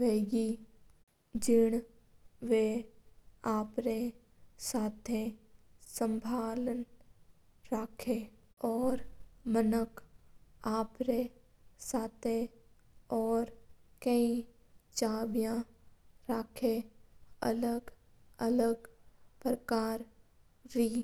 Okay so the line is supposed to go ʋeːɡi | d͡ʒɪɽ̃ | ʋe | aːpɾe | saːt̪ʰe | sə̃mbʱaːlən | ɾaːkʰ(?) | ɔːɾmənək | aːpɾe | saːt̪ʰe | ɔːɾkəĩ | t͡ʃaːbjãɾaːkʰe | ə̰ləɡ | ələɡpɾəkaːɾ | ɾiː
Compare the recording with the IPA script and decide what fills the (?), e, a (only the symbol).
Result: e